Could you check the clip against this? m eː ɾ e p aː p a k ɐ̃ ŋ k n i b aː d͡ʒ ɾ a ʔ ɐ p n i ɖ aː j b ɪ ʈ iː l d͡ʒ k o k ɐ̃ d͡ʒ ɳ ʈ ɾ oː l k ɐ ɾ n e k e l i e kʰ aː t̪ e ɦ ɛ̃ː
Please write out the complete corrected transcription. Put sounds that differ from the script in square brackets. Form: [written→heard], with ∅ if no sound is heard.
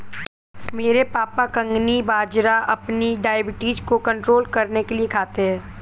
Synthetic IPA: m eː ɾ e p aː p a k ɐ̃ ŋ [k→ɡ] n i b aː d͡ʒ ɾ a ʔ ɐ p n i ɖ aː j b ɪ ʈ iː [l→∅] d͡ʒ k o k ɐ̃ [d͡ʒ→∅] ɳ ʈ ɾ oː l k ɐ ɾ n e k e l i e kʰ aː t̪ e ɦ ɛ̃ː